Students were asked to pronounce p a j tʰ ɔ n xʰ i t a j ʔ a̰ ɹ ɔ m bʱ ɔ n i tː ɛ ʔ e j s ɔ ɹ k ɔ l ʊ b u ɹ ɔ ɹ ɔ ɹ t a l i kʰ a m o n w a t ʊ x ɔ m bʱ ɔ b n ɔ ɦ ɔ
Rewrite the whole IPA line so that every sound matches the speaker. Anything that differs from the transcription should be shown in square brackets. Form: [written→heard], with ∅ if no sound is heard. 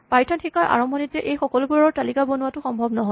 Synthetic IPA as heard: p a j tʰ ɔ n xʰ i [t→k] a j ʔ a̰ ɹ ɔ m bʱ ɔ n i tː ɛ ʔ e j [s→x] ɔ [ɹ→∅] k ɔ l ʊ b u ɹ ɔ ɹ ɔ ɹ t a l i [kʰ→k] a [m→b] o n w a t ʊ x ɔ m bʱ ɔ b n ɔ ɦ ɔ